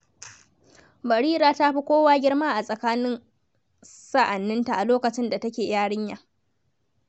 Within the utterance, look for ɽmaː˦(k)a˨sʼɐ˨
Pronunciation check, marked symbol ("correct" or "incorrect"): incorrect